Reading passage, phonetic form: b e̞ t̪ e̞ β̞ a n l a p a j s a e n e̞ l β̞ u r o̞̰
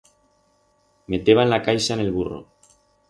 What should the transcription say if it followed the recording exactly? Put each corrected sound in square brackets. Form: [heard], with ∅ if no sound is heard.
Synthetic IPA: [m] e̞ t̪ e̞ β̞ a n l a [k] a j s a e n e̞ l β̞ u r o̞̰